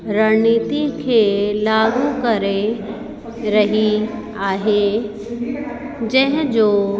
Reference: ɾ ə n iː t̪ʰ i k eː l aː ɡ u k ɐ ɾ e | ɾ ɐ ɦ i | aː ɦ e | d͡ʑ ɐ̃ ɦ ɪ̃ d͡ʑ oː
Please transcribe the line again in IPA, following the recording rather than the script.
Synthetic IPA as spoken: ɾ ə n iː t̪ i kʰ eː l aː ɡ u k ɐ ɾ e | ɾ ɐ ɦ i | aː ɦ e | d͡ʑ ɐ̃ ɦ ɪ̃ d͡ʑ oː